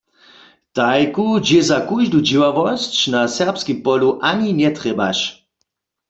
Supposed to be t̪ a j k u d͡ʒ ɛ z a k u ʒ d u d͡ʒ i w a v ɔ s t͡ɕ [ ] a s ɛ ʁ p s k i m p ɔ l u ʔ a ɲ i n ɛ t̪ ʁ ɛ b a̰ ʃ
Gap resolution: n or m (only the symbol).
n